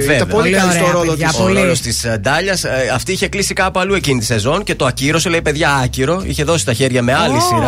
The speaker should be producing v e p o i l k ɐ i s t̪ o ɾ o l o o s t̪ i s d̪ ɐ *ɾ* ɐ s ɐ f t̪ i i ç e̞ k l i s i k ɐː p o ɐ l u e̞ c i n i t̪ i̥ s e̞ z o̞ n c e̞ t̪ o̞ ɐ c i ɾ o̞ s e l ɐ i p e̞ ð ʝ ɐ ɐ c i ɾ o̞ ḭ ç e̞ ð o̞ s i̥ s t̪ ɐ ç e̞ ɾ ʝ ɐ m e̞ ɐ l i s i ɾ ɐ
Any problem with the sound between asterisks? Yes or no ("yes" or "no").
yes